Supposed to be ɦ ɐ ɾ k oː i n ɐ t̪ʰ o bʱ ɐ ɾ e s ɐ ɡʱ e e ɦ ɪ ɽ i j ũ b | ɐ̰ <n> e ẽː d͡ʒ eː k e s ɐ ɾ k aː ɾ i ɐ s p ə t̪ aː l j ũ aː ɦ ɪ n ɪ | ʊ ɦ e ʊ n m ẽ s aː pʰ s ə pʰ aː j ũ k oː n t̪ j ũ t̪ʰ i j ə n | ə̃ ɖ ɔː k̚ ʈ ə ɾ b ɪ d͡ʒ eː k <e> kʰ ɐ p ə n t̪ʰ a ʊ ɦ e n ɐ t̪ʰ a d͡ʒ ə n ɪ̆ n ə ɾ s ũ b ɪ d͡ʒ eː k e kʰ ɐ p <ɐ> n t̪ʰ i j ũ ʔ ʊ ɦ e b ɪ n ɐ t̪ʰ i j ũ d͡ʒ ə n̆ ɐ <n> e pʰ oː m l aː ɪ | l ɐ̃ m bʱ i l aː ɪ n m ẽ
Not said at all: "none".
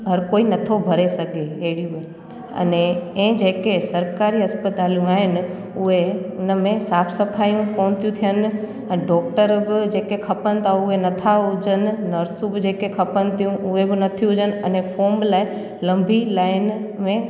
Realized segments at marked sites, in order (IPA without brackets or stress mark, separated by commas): n, e, ə, n